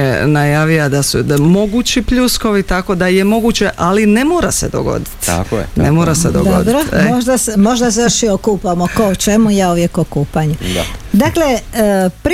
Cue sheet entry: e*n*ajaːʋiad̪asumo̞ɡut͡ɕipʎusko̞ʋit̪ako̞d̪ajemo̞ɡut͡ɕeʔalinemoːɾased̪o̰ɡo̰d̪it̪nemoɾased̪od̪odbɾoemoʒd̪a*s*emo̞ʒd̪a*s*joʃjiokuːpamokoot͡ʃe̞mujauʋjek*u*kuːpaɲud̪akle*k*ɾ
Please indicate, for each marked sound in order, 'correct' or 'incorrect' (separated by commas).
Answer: correct, correct, correct, incorrect, incorrect